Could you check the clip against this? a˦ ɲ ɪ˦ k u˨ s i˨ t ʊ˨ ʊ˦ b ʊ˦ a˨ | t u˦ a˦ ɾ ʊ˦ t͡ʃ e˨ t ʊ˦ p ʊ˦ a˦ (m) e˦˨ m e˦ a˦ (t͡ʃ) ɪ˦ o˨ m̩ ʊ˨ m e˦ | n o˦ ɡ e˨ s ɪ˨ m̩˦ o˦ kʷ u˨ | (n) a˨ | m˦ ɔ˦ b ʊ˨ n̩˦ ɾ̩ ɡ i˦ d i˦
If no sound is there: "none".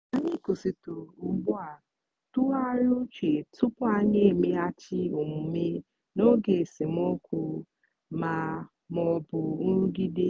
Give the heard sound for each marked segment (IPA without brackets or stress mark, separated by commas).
ɲ, t͡ʃ, m